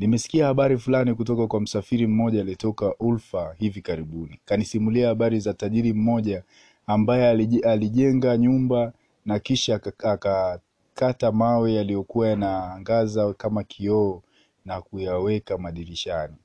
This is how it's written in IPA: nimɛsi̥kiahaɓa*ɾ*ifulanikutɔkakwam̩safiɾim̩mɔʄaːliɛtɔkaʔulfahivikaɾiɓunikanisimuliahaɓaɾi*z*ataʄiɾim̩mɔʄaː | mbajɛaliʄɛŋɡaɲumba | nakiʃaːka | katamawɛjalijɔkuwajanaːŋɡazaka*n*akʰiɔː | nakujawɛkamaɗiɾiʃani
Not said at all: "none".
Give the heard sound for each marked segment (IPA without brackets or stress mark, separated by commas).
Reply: ɾ, z, m